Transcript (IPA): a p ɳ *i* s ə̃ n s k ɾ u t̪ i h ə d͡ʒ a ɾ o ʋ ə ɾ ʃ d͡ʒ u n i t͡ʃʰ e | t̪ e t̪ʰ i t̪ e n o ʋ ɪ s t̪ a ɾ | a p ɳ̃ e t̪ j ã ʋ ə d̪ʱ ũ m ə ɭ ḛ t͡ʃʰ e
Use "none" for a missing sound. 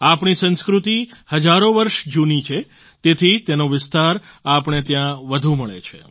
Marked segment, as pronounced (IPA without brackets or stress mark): i